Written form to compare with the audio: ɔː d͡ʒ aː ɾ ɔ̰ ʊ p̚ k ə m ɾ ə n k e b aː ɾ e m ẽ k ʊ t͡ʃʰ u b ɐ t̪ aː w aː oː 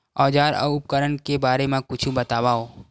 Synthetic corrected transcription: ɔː d͡ʒ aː ɾ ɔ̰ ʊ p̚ k ə ɾ ə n k e b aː ɾ e m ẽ k ʊ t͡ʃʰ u b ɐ t̪ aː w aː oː